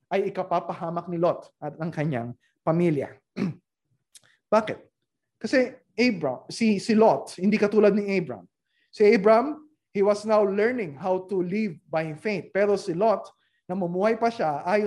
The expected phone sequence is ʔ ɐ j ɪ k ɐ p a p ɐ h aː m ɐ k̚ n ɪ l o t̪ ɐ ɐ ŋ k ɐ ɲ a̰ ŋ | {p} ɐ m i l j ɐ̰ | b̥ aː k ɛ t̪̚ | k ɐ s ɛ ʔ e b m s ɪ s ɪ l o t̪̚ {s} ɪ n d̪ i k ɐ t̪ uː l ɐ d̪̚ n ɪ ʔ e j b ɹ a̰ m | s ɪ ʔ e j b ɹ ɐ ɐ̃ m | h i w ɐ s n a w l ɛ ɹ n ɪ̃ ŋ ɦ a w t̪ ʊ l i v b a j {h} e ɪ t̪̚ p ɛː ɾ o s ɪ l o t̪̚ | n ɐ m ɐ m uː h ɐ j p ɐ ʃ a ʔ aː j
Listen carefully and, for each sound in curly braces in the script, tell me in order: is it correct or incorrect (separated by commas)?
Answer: correct, incorrect, incorrect